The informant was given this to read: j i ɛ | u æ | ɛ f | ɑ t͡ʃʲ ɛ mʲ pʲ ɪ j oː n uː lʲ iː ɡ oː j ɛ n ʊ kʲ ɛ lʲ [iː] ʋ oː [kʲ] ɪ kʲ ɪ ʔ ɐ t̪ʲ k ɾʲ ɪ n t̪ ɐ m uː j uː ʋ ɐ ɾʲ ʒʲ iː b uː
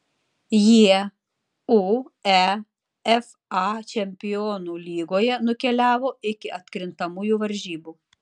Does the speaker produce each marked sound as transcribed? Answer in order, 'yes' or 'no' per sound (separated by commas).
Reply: no, no